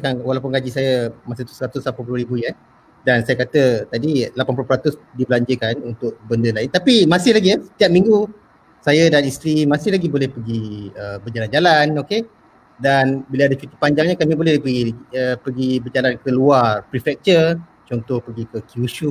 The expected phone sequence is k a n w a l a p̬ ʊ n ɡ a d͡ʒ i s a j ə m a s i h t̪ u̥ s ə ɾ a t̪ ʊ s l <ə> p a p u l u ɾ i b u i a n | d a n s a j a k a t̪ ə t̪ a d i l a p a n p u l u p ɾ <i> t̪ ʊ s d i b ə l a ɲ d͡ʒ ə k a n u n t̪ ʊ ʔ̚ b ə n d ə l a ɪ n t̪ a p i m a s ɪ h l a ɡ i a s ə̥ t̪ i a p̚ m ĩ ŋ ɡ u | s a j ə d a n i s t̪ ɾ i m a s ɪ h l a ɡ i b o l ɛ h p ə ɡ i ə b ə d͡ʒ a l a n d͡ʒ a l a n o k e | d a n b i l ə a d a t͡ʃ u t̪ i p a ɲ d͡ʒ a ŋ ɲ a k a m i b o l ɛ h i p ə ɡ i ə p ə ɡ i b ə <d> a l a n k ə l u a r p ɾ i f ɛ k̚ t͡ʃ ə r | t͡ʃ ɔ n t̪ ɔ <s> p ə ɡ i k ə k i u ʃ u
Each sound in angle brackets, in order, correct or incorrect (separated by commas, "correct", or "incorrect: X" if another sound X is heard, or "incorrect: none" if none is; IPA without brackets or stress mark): incorrect: a, incorrect: a, incorrect: d͡ʒ, incorrect: h